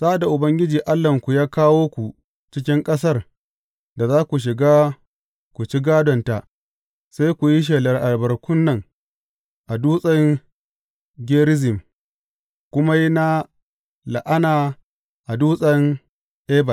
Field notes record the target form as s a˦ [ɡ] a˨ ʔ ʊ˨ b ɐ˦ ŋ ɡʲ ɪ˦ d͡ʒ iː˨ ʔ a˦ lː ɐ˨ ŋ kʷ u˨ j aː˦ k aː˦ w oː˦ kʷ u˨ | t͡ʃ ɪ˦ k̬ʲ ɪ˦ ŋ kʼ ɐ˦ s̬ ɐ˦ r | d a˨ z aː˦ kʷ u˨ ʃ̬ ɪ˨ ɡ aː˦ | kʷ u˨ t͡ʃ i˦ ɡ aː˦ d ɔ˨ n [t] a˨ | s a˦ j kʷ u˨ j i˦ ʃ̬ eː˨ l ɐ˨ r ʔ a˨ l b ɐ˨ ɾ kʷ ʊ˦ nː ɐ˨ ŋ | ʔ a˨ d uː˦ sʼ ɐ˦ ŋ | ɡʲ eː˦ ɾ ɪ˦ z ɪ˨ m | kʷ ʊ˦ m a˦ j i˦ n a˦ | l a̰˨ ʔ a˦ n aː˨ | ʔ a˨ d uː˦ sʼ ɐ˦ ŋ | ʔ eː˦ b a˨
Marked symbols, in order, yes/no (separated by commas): no, yes